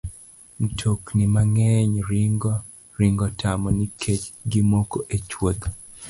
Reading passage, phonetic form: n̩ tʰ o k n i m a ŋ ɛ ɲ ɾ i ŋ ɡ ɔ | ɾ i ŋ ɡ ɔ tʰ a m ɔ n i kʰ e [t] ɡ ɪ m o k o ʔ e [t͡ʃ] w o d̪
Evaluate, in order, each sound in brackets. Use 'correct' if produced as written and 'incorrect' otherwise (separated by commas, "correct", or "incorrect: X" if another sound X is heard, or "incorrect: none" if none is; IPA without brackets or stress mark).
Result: incorrect: t͡ʃ, correct